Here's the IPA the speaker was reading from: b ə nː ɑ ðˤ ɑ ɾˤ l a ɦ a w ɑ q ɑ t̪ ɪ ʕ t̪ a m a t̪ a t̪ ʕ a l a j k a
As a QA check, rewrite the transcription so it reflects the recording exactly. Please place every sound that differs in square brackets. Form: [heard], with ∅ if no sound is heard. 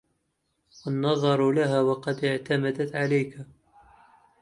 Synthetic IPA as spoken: [w] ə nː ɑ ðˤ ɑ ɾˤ l a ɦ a w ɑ q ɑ [d̪] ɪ ʕ t̪ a m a [d̪] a t̪ ʕ a l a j k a